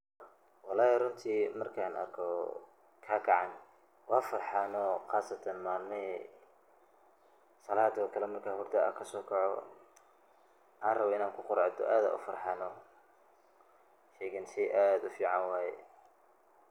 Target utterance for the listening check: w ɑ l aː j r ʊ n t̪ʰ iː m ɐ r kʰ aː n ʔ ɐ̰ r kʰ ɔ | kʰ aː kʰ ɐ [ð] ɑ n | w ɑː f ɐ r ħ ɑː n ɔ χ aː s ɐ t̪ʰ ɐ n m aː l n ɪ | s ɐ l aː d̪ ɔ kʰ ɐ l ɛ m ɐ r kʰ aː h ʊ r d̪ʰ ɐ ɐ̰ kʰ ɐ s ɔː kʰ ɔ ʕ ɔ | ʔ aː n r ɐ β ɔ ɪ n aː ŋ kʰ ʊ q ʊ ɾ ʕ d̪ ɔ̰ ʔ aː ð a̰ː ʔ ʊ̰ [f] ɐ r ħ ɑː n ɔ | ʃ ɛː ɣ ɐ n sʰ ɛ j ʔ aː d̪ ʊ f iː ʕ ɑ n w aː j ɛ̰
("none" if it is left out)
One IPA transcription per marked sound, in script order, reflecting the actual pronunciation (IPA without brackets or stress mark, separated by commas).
ʕ, f